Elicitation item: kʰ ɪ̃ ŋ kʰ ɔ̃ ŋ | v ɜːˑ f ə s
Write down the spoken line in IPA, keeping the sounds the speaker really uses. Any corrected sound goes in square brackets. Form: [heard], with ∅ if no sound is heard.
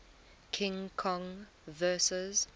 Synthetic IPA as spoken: kʰ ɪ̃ ŋ kʰ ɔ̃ ŋ | v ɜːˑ [s] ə [z]